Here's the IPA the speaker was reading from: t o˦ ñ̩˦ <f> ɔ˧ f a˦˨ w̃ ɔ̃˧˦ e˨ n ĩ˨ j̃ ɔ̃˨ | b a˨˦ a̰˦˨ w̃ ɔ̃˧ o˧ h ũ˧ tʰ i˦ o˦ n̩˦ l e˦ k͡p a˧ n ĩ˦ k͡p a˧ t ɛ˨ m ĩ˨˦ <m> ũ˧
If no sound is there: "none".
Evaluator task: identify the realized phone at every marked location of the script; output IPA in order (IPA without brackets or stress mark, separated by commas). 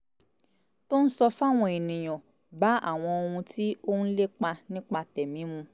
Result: s, m